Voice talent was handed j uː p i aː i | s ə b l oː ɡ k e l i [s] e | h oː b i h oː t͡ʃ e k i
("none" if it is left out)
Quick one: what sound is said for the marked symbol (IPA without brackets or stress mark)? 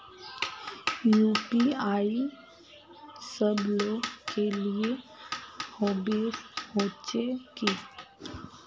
none